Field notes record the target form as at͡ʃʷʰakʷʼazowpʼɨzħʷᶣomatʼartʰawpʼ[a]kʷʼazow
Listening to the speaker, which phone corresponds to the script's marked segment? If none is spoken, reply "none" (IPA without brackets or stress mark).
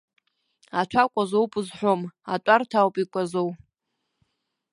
i